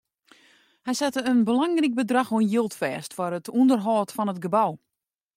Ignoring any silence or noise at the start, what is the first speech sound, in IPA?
h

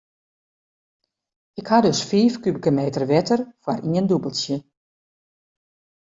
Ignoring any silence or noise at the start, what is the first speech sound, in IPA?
ɪ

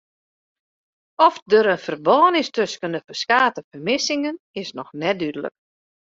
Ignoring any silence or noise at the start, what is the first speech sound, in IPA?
ɔ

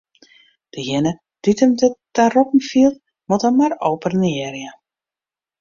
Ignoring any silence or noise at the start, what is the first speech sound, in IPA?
d̥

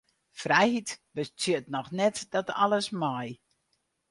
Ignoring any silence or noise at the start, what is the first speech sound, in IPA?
f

